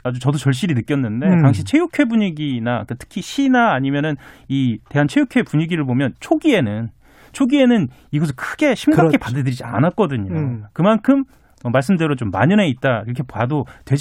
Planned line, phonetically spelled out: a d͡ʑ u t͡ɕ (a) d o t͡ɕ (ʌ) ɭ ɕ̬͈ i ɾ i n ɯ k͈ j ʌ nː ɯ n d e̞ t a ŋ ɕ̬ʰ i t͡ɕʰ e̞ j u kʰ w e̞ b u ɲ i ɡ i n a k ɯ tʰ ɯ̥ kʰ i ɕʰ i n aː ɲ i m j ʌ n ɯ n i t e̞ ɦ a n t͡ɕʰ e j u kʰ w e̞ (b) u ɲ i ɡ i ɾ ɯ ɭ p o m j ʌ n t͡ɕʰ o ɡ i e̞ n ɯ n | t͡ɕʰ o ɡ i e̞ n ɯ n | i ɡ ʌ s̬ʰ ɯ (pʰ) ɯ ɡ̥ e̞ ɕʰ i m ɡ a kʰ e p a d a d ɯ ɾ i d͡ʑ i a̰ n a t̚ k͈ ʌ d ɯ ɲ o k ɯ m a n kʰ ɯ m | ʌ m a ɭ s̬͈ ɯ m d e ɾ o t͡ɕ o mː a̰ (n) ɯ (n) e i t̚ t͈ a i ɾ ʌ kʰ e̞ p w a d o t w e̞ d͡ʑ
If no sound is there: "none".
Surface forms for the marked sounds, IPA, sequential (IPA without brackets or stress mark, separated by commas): ʌ, ʌ, p, kʰ, ɲ, n